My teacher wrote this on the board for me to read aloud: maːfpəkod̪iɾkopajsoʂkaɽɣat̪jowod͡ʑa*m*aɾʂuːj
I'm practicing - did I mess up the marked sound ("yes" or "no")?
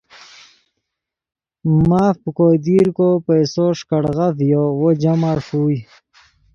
no